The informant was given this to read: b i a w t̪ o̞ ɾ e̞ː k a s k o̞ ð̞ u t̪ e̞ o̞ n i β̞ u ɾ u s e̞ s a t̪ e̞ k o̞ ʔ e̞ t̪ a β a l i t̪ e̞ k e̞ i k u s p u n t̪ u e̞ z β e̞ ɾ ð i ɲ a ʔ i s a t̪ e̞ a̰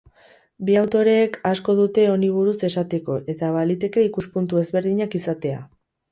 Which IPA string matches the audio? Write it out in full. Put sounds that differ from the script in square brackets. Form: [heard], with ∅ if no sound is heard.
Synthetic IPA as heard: b i a w t̪ o̞ ɾ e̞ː k a s k o̞ ð̞ u t̪ e̞ o̞ n i β̞ u ɾ u s e̞ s a t̪ e̞ k o̞ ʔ e̞ t̪ a β a l i t̪ e̞ k e̞ i k u s p u n t̪ u e̞ z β e̞ ɾ ð i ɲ a [k] i s a t̪ e̞ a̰